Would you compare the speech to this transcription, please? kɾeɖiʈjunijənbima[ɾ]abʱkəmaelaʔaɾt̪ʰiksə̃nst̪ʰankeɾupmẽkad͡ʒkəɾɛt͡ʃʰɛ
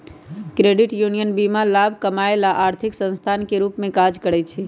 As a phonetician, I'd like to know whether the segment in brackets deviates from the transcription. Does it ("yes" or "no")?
yes